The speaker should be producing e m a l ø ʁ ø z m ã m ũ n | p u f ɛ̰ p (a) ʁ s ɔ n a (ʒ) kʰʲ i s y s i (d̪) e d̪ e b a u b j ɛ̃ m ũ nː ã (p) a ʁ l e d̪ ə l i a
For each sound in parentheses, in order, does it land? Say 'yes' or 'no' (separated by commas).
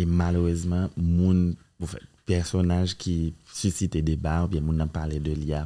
no, yes, no, yes